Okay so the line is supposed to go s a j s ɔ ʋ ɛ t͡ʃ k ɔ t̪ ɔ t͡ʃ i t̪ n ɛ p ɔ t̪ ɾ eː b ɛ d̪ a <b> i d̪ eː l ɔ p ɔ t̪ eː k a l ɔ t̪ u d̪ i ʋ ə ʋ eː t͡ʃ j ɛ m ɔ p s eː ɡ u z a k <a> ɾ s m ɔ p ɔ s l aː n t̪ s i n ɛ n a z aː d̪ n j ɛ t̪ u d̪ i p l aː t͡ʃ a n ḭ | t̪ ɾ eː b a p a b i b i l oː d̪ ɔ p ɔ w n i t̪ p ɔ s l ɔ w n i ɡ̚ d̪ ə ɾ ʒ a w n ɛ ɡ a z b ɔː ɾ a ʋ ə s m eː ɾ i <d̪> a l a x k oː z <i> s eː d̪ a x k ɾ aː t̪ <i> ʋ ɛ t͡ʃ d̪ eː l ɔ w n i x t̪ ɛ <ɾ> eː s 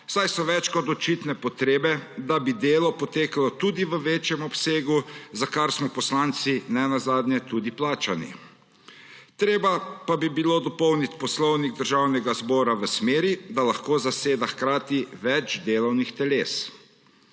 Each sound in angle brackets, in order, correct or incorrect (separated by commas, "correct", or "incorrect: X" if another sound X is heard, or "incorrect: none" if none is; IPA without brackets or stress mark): correct, correct, correct, incorrect: a, correct, incorrect: l